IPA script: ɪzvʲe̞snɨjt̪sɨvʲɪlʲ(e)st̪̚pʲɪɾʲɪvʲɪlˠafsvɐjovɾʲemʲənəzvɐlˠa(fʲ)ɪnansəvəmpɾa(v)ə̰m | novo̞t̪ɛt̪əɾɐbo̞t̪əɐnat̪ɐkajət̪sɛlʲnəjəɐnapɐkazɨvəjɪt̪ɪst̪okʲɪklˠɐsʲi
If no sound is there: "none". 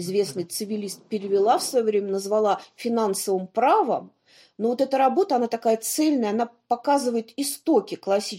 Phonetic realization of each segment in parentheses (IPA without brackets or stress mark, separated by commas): i, fʲ, v